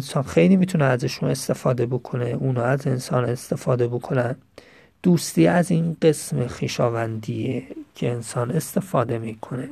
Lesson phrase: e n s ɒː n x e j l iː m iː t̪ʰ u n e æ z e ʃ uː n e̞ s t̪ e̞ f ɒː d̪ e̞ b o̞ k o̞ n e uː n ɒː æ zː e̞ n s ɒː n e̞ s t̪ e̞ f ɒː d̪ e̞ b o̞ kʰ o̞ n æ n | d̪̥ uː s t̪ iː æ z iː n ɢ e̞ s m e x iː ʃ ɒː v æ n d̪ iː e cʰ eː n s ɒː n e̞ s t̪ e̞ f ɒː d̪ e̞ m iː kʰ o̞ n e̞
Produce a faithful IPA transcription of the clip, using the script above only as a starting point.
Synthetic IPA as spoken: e n s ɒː n x e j l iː m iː t̪ʰ u n e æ z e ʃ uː n e̞ s t̪ e̞ f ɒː d̪ e̞ b o̞ kʰ o̞ n e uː n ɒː æ z e̞ n s ɒː n e̞ s t̪ e̞ f ɒː d̪ e̞ b o̞ kʰ o̞ n æ n | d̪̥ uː s t̪ iː æ z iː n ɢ e̞ s m e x iː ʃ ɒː v æ n d̪ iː e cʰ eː n s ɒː n e̞ s t̪ e̞ f ɒː d̪ e̞ m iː kʰ o̞ n e̞